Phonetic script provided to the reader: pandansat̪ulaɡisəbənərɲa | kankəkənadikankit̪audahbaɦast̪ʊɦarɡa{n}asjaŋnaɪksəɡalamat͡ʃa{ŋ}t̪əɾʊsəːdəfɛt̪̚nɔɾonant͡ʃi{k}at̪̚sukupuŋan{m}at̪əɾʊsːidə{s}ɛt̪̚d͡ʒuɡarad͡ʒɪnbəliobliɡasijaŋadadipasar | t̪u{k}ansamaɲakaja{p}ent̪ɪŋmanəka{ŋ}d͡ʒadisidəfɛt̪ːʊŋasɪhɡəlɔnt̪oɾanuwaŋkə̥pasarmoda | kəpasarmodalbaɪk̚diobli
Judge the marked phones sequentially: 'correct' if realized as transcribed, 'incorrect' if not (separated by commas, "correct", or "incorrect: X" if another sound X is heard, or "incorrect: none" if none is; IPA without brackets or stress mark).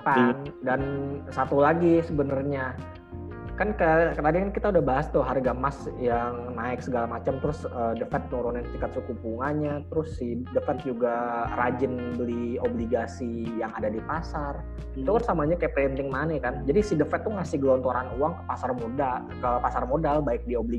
incorrect: m, incorrect: m, correct, incorrect: ɲ, incorrect: f, correct, correct, incorrect: n